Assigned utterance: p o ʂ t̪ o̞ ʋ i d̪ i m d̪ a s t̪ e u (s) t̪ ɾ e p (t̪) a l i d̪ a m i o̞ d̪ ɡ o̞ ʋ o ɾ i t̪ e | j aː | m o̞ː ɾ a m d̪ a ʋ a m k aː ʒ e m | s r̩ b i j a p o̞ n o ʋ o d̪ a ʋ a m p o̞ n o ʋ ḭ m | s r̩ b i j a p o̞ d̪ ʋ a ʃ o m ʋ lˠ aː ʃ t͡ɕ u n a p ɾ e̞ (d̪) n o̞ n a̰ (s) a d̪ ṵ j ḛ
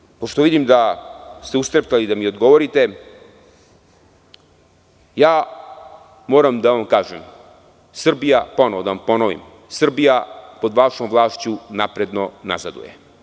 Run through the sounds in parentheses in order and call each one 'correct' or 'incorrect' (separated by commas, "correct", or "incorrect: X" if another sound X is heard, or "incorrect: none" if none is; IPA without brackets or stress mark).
correct, correct, correct, incorrect: z